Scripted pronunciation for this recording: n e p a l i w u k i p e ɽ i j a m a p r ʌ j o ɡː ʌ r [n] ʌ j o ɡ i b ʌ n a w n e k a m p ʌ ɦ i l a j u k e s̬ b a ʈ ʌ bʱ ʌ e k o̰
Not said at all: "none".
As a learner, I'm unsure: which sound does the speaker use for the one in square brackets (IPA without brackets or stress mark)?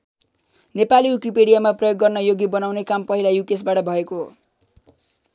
n